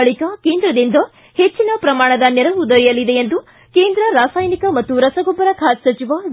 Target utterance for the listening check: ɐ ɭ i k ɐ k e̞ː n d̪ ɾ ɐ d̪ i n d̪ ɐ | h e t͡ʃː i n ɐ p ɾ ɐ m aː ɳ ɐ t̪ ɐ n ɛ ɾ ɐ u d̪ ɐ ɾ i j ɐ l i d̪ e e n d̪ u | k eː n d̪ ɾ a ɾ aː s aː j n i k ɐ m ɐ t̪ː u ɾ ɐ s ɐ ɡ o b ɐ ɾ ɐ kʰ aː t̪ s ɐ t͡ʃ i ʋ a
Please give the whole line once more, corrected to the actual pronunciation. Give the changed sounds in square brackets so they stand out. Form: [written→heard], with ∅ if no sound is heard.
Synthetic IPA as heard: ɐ ɭ i k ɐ k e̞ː n d̪ ɾ ɐ d̪ i n d̪ ɐ | h e t͡ʃː i n ɐ p ɾ ɐ m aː ɳ ɐ [t̪→d̪] ɐ n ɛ ɾ ɐ u d̪ ɐ ɾ i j ɐ l i d̪ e e n d̪ u | k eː n d̪ ɾ [a→ɐ] ɾ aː s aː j n i k ɐ m ɐ t̪ː u ɾ ɐ s ɐ ɡ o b ɐ ɾ ɐ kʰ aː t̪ s ɐ t͡ʃ i ʋ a